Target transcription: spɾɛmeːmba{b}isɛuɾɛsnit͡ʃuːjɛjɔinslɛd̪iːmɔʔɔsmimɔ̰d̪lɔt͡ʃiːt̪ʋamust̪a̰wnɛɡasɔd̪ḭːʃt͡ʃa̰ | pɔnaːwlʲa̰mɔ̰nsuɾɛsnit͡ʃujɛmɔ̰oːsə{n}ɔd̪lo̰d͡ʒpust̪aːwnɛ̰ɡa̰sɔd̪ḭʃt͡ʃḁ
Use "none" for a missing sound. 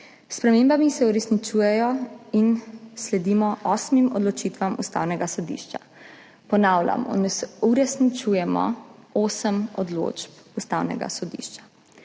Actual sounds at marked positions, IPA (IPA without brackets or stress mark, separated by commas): m, m